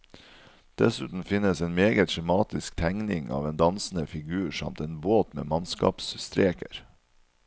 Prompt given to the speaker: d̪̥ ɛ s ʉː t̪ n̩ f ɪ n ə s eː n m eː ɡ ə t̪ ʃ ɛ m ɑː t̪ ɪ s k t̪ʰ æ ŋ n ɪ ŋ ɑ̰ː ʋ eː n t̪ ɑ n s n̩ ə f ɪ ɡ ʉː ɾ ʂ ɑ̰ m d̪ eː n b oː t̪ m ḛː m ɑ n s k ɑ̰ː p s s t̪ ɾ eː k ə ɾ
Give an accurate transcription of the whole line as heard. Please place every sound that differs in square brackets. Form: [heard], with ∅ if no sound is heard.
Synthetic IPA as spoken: d̪̥ ɛ s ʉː t̪ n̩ f ɪ n ə s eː n m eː ɡ ə t̪ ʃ ɛ m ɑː t̪ ɪ s k t̪ʰ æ ŋ n ɪ ŋ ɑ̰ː ʋ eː n [d̪] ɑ n s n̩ ə f ɪ ɡ ʉː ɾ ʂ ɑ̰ m [t̪] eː n b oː t̪ m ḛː m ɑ n s k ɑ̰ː p s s t̪ ɾ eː k ə ɾ